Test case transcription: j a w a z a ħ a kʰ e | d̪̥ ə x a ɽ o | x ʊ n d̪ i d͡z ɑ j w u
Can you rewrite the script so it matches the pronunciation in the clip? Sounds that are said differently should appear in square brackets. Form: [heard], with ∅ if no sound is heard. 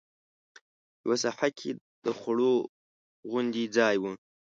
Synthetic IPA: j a w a [s] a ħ a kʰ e | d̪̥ ə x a ɽ o | [ɣ] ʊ n d̪ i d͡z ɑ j w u